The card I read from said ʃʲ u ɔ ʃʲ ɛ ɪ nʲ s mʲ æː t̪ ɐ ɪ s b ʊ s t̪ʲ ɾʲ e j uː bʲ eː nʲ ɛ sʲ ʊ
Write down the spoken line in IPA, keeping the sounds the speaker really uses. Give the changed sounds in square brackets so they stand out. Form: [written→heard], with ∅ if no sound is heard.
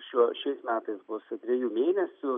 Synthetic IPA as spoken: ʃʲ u ɔ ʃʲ ɛ ɪ [nʲ→∅] s mʲ æː t̪ ɐ ɪ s b ʊ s t̪ʲ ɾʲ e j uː [bʲ→mʲ] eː nʲ ɛ sʲ ʊ